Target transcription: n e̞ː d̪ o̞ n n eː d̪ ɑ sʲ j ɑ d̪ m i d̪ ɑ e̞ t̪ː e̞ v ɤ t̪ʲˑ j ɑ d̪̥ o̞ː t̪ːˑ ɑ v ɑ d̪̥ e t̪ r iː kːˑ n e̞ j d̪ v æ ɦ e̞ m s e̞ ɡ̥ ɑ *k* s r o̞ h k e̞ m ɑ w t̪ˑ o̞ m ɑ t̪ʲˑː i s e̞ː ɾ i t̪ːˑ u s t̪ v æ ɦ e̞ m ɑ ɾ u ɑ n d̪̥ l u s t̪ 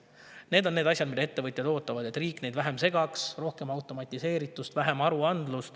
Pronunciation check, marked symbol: correct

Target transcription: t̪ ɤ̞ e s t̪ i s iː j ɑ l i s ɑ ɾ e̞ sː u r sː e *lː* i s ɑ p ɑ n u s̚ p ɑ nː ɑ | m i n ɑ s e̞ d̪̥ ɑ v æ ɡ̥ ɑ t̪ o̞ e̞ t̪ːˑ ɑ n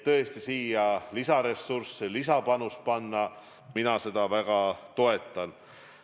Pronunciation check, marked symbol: incorrect: l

